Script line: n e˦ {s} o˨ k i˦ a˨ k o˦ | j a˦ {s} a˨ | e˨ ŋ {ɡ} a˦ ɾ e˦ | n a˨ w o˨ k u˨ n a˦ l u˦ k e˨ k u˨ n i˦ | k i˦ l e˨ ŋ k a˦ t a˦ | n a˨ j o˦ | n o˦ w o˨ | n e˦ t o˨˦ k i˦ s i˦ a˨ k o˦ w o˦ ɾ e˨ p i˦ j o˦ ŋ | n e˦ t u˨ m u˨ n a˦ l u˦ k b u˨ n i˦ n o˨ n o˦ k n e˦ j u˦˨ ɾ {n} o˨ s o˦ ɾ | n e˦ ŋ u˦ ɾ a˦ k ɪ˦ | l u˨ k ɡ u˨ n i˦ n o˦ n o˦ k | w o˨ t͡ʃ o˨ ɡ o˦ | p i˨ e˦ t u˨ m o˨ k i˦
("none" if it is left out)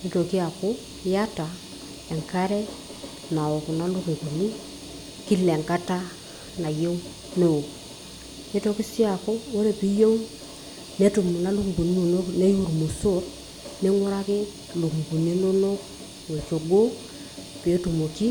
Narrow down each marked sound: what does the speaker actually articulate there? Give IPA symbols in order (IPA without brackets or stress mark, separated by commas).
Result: t, t, k, m